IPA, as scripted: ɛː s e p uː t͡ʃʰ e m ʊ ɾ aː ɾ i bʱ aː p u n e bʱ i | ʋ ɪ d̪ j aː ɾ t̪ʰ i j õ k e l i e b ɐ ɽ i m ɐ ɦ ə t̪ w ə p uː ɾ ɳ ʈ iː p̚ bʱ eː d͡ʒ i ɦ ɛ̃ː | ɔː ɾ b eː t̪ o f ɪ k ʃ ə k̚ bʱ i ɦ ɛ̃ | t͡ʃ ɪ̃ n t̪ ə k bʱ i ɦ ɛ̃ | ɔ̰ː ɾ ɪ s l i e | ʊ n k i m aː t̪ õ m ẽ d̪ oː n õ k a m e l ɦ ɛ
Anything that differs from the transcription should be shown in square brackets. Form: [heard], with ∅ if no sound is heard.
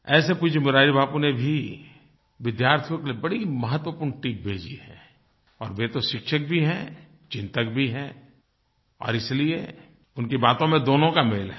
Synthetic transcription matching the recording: ɛː s e p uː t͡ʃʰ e m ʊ ɾ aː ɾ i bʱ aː p u n e bʱ i | ʋ ɪ d̪ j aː ɾ t̪ʰ i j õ k e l i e b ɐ ɽ i m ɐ ɦ ə t̪ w ə p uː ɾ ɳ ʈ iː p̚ bʱ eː d͡ʒ i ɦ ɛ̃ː | ɔː ɾ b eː t̪ o [ʃ] ɪ k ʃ ə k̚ bʱ i ɦ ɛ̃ | t͡ʃ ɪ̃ n t̪ ə k bʱ i ɦ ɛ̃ | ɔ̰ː ɾ ɪ s l i e | ʊ n k i [b] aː t̪ õ m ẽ d̪ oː n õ k a m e l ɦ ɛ